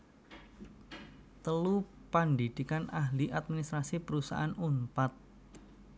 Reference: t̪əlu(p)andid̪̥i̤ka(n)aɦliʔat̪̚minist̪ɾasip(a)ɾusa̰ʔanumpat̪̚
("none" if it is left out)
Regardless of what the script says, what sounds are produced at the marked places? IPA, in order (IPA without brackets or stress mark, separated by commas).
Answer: p, n, ə